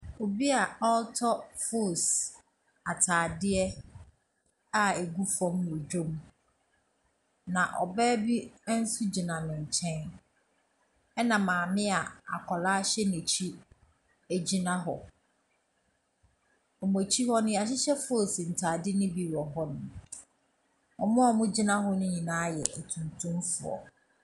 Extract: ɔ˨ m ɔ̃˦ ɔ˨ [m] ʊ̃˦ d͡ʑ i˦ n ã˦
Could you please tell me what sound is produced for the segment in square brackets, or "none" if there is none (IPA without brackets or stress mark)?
m